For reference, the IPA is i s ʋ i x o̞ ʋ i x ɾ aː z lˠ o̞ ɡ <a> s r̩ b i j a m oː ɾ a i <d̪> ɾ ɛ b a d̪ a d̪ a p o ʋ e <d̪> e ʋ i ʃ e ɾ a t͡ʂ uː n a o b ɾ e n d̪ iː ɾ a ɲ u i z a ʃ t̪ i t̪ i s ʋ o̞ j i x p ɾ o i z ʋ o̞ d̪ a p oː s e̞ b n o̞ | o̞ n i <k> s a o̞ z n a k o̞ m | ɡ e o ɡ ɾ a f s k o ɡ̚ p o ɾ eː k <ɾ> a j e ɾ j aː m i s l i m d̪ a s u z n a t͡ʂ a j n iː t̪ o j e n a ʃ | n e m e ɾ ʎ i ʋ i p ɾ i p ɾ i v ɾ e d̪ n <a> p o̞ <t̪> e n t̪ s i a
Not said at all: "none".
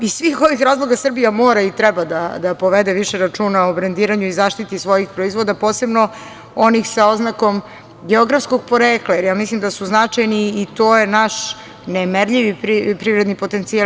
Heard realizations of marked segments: a, t̪, d̪, x, l, i, t̪

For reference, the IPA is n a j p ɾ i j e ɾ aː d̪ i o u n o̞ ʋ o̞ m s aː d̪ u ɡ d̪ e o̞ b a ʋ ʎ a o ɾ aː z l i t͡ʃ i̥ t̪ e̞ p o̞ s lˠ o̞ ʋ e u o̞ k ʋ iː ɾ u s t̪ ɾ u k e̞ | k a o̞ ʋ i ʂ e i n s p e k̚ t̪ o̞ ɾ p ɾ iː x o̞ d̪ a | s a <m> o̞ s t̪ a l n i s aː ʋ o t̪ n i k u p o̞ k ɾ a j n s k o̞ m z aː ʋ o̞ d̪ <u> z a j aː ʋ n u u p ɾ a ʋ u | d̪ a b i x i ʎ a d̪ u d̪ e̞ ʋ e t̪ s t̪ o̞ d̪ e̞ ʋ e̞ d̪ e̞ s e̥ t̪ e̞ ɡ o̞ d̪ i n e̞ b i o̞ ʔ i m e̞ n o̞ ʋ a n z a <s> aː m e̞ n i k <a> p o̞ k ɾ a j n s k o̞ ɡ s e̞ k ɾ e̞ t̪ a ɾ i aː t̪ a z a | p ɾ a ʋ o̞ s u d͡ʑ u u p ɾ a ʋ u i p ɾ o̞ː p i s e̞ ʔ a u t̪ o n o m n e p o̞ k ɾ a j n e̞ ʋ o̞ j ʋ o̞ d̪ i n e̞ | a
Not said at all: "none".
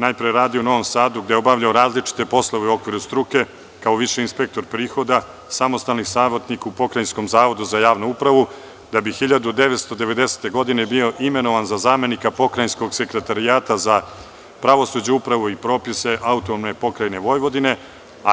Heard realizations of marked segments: m, u, z, a

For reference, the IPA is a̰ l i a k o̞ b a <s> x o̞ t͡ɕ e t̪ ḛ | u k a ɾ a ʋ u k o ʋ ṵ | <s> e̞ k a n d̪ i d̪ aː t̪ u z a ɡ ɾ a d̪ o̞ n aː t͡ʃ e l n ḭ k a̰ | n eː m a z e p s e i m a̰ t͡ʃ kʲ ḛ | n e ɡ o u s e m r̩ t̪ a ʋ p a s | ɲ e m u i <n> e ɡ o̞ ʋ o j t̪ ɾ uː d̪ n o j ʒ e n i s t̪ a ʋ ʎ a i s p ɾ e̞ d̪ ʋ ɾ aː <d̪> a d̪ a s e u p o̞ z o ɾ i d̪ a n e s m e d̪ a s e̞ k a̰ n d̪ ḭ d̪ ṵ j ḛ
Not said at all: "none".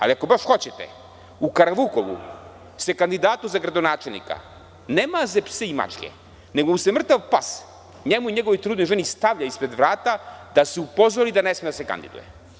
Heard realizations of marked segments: ʃ, s, ɲ, t̪

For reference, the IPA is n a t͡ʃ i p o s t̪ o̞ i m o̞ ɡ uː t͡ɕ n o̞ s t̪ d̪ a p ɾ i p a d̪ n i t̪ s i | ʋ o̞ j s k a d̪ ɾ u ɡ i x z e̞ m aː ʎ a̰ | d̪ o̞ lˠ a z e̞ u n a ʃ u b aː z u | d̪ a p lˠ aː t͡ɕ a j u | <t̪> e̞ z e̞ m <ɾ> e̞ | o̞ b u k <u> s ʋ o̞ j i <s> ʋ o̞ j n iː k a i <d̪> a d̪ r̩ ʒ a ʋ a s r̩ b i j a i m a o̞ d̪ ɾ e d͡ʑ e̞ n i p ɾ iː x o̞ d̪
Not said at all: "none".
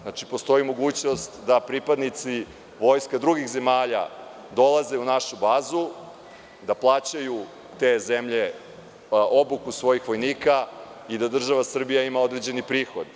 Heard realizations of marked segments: t̪, ʎ, u, x, d̪

